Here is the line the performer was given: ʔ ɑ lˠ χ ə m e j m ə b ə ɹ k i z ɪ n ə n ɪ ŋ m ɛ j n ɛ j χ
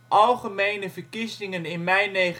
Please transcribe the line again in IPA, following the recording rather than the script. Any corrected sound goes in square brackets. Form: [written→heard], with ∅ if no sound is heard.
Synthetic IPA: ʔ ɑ lˠ χ ə m e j [m→n] ə [b→v] ə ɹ k i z ɪ [n→ŋ] ə n ɪ [ŋ→n] m ɛ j n [ɛ→e] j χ